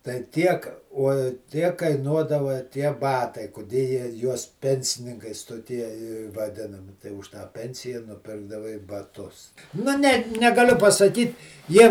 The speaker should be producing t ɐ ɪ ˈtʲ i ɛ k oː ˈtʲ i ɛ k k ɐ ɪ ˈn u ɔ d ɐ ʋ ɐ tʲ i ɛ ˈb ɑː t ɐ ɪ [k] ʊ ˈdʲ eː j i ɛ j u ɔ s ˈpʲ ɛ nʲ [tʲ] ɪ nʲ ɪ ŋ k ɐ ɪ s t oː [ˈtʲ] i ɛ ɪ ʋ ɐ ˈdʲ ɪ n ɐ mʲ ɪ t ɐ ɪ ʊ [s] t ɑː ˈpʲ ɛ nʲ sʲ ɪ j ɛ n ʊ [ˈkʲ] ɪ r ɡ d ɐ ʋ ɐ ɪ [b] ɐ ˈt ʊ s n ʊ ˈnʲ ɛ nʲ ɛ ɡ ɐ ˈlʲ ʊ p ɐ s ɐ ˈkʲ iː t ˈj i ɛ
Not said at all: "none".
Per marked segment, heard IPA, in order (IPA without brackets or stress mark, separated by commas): k, sʲ, tʲ, ʃ, pʲ, b